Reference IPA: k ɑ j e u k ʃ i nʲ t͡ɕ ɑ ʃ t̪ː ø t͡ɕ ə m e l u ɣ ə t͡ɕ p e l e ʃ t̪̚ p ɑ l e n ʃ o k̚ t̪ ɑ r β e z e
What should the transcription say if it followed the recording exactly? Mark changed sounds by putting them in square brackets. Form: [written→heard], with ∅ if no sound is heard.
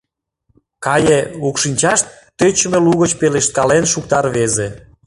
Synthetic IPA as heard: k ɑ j e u k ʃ i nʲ t͡ɕ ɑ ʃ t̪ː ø t͡ɕ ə m e l u ɣ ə t͡ɕ p e l e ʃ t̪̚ [p→k] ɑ l e n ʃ [o→u] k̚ t̪ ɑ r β e z e